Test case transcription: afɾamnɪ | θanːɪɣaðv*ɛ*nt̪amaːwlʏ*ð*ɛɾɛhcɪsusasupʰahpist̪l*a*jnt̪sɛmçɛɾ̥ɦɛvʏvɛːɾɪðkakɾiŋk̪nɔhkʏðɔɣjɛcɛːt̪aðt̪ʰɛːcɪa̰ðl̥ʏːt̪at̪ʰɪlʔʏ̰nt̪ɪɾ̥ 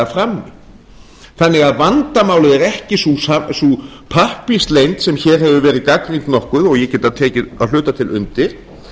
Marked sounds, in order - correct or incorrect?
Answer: incorrect: a, correct, incorrect: e

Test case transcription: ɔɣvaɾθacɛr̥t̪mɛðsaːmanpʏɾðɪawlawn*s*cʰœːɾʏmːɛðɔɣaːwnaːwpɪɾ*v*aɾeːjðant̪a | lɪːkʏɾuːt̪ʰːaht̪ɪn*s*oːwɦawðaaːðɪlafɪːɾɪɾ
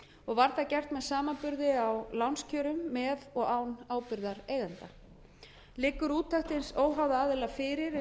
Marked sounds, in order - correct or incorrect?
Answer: correct, incorrect: ð, correct

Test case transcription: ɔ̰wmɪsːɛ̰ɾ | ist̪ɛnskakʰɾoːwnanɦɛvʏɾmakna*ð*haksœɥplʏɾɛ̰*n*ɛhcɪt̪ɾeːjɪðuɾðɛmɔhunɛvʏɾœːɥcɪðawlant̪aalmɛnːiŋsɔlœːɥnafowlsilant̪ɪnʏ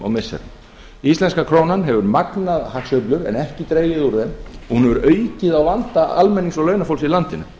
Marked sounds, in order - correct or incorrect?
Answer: correct, correct

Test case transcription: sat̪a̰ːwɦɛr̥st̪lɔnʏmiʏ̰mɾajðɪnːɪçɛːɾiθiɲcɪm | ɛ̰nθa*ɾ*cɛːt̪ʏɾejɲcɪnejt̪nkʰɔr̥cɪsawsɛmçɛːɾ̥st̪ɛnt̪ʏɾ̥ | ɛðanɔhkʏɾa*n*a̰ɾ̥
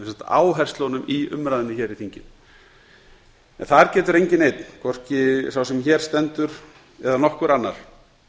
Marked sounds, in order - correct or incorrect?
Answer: correct, incorrect: nː

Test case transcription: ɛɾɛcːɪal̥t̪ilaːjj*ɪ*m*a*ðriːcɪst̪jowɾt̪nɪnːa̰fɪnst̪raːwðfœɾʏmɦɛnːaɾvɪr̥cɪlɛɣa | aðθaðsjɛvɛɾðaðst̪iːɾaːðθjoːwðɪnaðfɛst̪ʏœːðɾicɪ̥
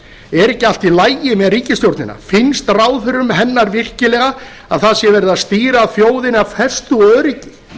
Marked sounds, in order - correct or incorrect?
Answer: correct, incorrect: ɛ

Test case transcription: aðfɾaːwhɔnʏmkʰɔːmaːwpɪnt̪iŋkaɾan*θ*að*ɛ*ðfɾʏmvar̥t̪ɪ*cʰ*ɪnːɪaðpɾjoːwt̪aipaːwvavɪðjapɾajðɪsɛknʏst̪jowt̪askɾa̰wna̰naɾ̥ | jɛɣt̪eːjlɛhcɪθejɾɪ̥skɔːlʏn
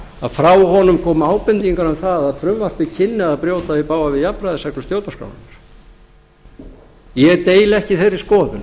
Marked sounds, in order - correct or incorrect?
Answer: correct, incorrect: a, correct

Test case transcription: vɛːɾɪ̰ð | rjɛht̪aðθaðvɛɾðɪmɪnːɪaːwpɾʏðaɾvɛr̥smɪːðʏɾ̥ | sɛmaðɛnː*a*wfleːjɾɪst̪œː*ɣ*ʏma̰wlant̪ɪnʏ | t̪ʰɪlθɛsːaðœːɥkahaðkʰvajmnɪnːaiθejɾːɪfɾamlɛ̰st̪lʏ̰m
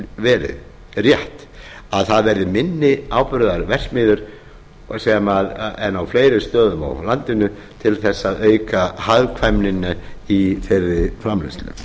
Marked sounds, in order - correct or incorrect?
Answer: correct, incorrect: ð

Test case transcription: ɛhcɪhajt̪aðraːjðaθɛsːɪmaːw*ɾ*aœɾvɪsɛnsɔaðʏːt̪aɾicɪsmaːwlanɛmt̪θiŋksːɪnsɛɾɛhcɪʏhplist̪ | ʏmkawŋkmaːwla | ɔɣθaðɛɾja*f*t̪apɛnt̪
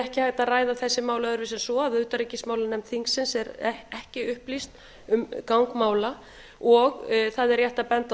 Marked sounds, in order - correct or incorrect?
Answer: incorrect: l, incorrect: h

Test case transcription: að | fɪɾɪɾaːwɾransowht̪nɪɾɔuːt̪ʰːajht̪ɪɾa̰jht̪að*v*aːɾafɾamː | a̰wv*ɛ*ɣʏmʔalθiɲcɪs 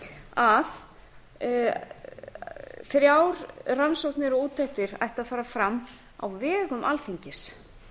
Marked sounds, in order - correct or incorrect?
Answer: incorrect: f, incorrect: ɛː

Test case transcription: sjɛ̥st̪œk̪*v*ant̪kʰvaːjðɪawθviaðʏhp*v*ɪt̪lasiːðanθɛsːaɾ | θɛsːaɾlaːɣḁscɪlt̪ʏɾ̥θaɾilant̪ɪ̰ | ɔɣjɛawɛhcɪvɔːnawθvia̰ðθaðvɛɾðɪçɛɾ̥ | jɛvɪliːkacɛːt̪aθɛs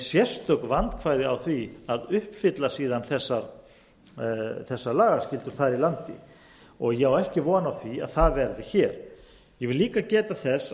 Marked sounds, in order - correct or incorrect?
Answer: correct, incorrect: f

